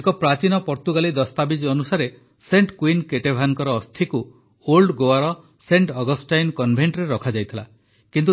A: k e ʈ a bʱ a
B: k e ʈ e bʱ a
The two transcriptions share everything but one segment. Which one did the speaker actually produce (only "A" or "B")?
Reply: B